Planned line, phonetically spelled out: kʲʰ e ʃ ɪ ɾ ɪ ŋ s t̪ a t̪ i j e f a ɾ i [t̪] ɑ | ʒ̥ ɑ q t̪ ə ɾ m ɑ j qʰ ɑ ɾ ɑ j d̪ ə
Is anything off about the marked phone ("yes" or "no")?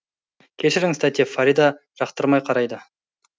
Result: yes